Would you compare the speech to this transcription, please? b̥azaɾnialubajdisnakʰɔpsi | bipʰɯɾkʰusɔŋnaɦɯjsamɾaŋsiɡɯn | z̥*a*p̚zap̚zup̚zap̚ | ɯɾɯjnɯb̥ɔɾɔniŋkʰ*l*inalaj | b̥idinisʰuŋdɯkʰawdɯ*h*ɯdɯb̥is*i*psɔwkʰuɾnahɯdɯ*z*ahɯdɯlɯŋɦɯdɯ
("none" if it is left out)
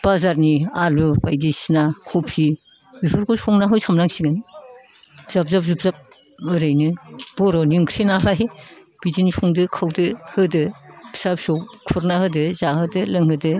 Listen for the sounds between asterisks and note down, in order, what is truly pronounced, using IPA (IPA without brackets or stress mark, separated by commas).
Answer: a, ɾ, h, a, z